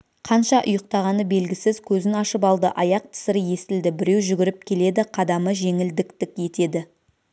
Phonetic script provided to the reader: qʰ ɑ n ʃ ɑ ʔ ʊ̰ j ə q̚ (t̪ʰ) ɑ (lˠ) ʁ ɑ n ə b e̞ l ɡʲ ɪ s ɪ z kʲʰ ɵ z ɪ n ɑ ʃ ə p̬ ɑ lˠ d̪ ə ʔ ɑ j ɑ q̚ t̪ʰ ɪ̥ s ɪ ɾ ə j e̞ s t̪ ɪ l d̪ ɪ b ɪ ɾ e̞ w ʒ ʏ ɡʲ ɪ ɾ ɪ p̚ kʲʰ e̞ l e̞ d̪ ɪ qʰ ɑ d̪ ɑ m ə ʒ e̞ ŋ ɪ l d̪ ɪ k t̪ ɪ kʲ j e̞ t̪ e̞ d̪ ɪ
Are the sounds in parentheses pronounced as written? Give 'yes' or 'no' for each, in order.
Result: no, no

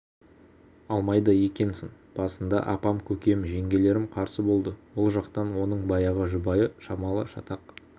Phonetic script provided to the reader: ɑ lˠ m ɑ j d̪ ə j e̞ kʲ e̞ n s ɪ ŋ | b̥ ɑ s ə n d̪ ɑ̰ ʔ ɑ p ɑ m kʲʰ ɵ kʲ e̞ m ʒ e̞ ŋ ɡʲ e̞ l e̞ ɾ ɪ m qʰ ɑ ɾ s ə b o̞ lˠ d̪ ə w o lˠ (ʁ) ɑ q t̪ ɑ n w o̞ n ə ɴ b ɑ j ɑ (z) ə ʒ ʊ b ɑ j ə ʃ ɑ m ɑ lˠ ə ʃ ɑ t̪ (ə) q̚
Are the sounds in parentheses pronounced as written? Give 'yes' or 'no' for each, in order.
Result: no, no, no

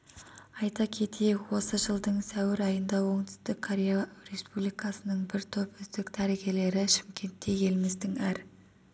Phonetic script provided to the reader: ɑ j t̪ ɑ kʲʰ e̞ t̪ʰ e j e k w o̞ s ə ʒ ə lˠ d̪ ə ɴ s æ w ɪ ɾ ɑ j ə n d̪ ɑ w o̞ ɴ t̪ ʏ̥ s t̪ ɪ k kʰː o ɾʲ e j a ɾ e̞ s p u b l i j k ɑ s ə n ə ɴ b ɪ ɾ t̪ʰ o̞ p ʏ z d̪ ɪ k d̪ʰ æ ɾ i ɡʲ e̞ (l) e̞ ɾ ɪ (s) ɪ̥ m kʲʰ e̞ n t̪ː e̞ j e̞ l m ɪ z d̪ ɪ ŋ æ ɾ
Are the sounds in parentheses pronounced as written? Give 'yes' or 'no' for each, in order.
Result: yes, no

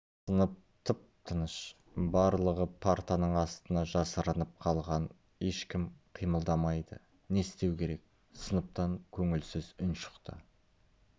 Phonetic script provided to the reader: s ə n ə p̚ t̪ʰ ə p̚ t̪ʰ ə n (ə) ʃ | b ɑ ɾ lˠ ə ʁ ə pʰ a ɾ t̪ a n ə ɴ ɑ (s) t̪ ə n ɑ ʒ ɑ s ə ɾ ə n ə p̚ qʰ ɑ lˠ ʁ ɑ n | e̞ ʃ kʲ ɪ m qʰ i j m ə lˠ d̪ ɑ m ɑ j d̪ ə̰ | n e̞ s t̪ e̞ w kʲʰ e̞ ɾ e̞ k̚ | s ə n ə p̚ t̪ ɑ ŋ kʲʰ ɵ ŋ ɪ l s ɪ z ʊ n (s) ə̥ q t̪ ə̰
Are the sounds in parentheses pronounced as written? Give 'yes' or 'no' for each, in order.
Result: yes, yes, no

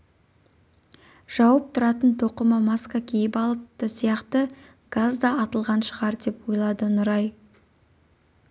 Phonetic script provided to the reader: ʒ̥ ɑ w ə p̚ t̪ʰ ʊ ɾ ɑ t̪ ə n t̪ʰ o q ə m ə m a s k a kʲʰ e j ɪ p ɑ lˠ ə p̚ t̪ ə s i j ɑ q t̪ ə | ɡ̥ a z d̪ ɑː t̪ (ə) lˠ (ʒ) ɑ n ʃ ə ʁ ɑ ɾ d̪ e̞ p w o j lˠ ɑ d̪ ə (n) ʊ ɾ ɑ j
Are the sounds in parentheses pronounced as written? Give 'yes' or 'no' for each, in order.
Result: yes, no, yes

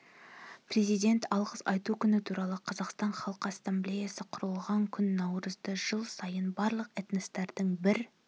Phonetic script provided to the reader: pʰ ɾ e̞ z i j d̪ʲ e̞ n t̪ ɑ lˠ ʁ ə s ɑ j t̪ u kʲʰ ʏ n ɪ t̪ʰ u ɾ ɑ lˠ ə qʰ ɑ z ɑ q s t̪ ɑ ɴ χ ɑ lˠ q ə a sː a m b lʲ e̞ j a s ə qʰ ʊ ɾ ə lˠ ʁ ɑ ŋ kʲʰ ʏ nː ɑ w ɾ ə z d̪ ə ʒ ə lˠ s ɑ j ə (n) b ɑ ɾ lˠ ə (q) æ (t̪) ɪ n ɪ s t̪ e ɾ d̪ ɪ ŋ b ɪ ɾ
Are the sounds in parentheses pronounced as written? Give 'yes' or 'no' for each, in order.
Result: yes, yes, yes

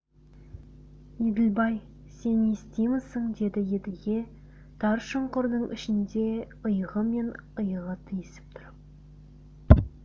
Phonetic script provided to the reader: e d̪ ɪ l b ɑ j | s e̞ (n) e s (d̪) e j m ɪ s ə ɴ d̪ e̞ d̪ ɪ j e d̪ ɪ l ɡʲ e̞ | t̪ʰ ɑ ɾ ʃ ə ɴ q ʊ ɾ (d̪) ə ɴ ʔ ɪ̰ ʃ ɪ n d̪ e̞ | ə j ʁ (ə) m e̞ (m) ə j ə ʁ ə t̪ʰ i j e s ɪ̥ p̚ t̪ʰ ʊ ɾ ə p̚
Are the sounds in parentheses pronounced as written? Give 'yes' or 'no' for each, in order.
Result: yes, no, yes, yes, no

